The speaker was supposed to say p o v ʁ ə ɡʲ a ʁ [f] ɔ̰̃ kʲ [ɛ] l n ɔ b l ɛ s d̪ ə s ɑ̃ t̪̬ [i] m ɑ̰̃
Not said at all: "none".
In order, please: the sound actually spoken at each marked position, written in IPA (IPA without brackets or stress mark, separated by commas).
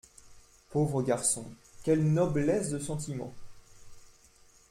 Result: s, ɛ, i